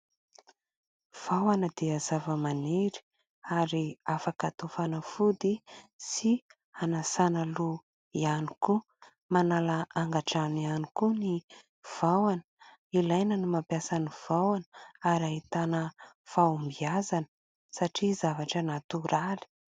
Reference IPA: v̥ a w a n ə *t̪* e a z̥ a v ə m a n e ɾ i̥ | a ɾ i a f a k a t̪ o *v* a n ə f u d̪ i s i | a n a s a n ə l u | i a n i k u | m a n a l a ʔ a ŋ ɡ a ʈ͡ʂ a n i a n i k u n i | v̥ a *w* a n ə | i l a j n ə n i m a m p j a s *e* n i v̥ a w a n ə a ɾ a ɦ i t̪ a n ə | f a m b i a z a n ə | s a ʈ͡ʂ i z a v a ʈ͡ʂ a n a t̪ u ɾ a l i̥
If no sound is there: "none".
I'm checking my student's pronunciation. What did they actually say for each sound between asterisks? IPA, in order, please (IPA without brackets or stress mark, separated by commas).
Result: d̪, f, w, a